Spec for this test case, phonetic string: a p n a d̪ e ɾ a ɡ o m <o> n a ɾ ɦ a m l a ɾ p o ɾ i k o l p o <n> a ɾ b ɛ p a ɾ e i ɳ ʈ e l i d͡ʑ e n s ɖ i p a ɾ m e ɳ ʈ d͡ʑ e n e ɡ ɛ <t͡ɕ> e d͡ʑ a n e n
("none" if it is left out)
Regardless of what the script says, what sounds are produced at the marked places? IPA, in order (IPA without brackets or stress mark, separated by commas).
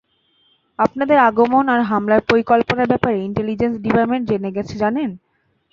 o, n, t͡ɕʰ